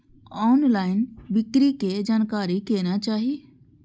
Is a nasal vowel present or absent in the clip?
absent